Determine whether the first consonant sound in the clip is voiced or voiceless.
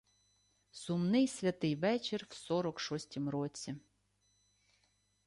voiceless